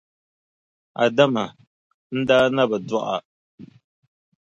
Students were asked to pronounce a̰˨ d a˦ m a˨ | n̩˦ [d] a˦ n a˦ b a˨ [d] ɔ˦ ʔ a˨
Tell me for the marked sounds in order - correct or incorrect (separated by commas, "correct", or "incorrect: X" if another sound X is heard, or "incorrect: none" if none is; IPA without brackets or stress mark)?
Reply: correct, correct